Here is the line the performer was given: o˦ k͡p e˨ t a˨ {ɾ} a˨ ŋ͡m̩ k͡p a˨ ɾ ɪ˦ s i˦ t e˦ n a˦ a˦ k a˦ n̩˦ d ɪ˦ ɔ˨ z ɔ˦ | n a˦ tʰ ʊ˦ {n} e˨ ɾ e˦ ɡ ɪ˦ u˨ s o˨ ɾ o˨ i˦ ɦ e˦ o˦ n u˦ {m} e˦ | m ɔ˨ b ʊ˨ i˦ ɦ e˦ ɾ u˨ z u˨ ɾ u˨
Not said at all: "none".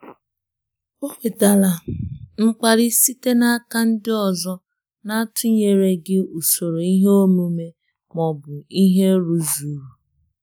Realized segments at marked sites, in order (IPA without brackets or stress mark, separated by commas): l, ɲ, m